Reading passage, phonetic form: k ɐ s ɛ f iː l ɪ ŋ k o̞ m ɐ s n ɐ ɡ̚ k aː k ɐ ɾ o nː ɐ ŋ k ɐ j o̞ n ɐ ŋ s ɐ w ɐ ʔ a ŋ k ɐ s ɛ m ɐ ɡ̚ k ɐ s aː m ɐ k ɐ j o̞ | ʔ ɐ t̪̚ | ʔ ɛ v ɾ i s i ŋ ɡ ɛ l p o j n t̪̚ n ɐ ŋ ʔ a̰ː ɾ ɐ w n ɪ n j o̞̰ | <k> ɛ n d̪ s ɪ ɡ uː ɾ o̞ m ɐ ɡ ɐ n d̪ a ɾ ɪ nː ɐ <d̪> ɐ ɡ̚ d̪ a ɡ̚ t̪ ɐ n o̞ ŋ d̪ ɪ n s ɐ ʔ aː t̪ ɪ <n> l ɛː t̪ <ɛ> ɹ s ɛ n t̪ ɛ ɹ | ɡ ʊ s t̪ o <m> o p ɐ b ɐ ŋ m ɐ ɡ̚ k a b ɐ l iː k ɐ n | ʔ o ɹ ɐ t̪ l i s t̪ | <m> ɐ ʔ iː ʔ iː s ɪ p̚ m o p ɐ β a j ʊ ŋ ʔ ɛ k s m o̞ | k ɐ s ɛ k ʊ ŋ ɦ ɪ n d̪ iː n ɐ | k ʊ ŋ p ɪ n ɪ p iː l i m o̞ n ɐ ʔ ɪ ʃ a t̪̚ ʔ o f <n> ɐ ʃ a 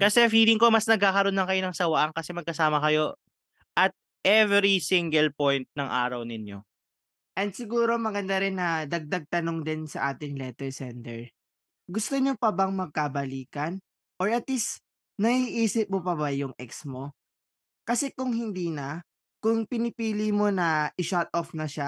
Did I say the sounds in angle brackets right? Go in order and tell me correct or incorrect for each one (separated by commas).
incorrect, correct, incorrect, correct, incorrect, incorrect, correct